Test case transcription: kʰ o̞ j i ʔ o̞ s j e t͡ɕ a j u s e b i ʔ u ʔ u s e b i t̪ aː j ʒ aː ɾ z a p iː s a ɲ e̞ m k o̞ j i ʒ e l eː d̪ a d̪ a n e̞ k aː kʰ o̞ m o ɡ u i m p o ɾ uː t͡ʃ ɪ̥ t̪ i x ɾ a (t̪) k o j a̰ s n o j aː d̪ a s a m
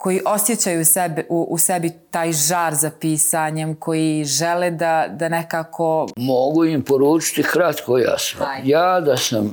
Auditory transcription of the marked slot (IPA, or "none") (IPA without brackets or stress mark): t̪